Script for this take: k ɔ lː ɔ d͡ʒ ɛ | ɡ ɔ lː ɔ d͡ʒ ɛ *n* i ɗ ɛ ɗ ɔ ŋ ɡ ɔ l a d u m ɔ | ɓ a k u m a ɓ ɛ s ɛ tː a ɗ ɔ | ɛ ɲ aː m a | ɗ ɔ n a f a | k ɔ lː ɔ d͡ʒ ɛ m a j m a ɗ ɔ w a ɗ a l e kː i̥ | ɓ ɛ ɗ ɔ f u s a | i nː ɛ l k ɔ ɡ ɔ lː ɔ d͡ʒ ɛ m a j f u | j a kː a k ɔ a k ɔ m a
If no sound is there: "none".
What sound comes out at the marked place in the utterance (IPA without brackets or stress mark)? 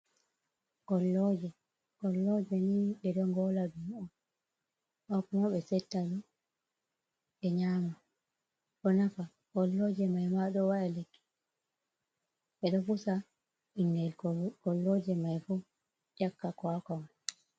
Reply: n